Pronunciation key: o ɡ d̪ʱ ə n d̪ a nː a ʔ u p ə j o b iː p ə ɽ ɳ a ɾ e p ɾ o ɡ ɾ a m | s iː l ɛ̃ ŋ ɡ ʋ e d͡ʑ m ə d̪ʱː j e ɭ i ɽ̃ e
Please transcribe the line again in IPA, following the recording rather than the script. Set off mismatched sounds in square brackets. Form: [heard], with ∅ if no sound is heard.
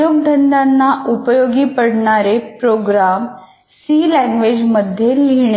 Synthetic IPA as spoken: o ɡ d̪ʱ ə n d̪ a nː a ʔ u p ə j o [ɡ] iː p ə ɽ ɳ a ɾ e p ɾ o ɡ ɾ a m | s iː l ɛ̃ ŋ ɡ ʋ e d͡ʑ m ə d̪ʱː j e [l] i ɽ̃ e